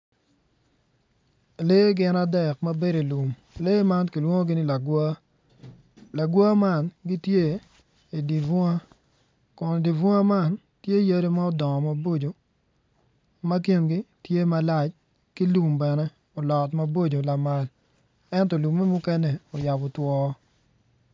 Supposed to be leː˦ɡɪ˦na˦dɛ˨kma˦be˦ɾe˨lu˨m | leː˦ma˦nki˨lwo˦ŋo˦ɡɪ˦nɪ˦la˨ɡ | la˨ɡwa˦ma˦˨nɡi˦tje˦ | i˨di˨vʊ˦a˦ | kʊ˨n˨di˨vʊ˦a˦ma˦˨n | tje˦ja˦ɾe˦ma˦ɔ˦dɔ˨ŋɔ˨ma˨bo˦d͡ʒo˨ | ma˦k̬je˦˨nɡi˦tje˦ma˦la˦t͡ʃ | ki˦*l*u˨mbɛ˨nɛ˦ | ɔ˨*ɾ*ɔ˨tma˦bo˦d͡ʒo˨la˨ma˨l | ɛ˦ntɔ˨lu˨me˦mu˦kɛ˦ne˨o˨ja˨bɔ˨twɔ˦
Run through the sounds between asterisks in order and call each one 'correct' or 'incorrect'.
correct, incorrect: l

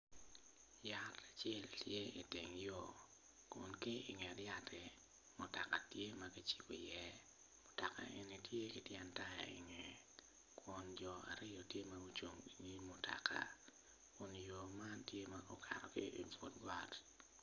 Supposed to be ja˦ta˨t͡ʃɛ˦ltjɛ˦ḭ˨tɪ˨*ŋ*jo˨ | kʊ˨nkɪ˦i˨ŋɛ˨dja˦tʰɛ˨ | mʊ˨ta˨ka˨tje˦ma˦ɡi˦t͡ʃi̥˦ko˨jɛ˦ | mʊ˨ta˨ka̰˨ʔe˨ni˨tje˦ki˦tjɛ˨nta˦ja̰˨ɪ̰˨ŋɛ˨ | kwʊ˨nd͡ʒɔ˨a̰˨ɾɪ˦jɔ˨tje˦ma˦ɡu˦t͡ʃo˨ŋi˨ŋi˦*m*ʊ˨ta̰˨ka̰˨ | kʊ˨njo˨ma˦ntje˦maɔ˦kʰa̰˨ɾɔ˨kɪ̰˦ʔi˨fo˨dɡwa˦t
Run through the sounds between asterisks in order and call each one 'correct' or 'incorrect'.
correct, correct

